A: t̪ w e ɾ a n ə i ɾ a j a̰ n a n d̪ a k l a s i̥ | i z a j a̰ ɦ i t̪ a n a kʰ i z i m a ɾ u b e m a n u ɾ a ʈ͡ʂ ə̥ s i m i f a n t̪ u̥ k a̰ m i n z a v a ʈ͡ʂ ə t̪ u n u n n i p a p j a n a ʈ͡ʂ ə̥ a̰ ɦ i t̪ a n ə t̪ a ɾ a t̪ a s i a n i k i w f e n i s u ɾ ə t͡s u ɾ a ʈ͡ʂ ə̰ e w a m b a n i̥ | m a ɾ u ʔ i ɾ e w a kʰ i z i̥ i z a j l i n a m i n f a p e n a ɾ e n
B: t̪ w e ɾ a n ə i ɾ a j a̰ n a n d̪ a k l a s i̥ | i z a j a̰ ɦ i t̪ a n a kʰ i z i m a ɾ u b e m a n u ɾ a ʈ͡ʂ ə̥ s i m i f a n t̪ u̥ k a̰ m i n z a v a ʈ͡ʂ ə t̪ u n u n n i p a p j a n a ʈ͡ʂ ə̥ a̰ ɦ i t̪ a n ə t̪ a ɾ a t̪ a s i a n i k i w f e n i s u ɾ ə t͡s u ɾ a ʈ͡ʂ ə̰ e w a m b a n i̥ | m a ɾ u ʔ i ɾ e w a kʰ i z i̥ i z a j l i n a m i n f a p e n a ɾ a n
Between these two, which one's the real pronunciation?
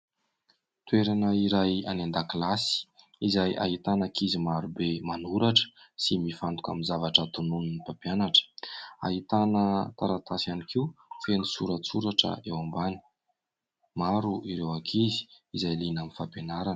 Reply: B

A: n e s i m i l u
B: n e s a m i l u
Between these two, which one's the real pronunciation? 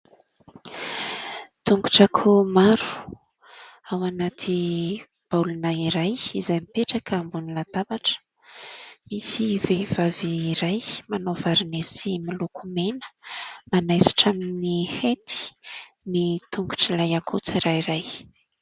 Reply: A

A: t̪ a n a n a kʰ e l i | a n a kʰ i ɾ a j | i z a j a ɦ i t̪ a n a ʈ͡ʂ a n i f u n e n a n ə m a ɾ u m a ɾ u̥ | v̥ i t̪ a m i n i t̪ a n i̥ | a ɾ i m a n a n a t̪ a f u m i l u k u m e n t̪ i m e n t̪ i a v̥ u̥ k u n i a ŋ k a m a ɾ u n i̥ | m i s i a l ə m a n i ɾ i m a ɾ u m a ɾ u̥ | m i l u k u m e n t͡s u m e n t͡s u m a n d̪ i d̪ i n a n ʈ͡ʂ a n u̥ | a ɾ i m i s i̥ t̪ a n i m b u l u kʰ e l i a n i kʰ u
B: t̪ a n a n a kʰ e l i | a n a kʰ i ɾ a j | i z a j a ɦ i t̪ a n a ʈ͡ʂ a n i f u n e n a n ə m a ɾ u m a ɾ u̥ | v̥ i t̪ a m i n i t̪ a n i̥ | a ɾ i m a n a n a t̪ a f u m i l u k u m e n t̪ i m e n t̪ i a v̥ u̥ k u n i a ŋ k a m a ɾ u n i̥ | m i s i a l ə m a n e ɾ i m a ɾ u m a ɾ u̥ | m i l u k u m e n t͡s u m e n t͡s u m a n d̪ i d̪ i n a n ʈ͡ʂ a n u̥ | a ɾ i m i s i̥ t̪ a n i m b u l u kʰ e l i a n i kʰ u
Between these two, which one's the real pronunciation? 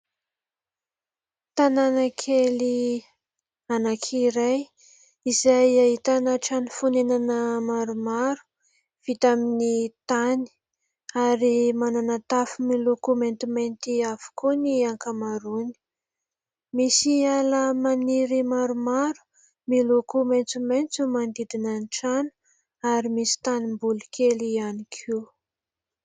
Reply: A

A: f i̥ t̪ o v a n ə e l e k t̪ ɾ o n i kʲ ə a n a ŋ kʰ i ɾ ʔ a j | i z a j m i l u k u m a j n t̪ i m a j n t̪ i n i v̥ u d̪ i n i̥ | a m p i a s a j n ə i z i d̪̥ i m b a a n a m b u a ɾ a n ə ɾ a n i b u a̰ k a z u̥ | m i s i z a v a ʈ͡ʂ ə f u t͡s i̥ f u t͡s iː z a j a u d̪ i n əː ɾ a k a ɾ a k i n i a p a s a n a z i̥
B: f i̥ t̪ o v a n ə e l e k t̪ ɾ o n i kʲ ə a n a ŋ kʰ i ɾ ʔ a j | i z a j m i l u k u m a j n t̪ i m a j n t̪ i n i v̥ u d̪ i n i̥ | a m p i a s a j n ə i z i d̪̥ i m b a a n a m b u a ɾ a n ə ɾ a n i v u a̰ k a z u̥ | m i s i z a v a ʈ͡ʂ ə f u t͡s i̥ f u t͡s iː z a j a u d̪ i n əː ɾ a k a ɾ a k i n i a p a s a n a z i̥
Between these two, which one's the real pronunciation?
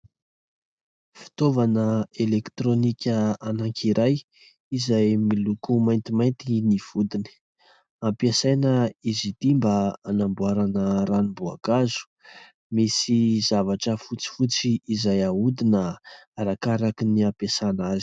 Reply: A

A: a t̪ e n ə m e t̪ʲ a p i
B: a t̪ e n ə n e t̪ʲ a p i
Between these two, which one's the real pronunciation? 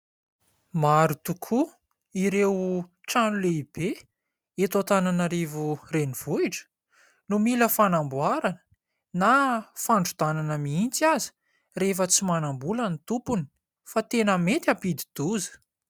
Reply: A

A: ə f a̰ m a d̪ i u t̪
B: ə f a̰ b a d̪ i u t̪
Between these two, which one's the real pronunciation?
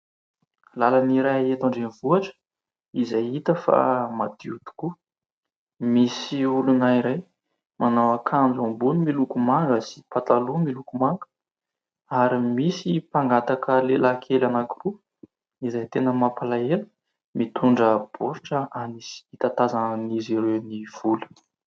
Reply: A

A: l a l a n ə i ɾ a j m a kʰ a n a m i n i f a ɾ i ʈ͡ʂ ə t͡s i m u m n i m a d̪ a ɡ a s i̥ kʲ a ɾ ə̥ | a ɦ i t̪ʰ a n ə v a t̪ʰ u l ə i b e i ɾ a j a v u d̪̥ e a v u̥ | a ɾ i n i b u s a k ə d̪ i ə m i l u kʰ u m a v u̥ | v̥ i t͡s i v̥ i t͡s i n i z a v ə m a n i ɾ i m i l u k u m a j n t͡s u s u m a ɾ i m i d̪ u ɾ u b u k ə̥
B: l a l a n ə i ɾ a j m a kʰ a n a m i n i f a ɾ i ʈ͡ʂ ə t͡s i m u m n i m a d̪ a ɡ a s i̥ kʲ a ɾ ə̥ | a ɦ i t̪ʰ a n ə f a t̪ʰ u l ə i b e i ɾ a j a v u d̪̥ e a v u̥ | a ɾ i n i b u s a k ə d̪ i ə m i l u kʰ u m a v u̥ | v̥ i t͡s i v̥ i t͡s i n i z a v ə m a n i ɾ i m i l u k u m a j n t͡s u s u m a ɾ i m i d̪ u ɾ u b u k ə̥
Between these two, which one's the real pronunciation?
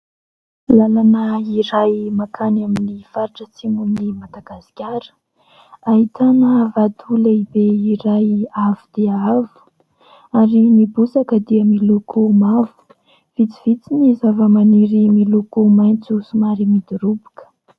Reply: A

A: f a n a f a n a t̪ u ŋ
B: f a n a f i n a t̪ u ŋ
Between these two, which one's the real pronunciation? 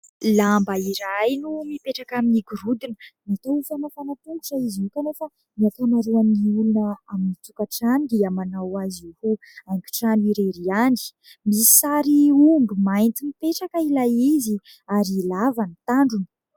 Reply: A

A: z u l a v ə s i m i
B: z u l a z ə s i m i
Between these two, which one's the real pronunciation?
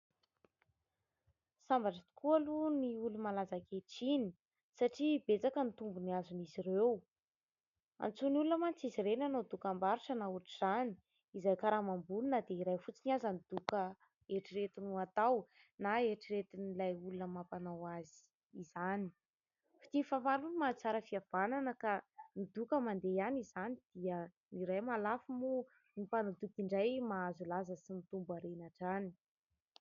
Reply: B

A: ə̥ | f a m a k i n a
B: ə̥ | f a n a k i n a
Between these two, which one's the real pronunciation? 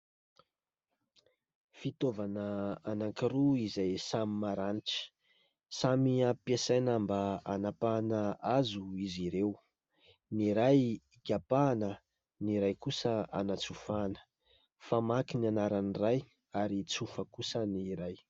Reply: A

